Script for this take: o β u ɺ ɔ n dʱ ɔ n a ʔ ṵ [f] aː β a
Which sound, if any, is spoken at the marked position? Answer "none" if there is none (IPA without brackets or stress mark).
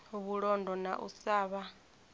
s